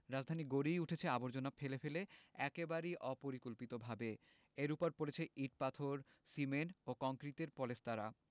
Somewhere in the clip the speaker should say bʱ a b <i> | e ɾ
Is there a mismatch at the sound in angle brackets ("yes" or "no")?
yes